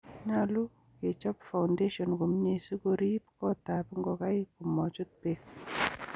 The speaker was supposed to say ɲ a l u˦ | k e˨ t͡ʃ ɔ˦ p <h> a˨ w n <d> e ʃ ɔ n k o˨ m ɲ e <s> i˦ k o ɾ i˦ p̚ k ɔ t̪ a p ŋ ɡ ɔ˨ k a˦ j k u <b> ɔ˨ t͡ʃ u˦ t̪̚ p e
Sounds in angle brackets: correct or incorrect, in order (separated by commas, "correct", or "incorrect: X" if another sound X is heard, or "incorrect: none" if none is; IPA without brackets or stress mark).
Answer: incorrect: f, correct, correct, incorrect: m